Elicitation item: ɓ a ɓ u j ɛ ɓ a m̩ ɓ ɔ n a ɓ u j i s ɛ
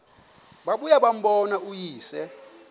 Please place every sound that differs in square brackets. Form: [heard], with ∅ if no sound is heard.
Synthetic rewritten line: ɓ a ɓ u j [a] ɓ a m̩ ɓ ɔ n a [∅] u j [iː] s ɛ